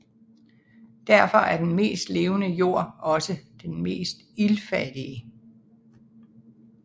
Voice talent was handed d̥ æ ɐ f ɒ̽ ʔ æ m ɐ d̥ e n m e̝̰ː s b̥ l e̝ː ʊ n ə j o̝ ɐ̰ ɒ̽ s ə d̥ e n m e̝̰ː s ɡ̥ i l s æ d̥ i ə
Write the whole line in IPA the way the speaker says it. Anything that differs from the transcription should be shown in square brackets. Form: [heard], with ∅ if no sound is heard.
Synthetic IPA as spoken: d̥ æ ɐ f ɒ̽ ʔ æ [∅] ɐ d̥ e n m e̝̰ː s [d̥] l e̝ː ʊ n ə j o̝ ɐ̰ ɒ̽ s ə d̥ e n m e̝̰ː s [d̥] i l [f] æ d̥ i ə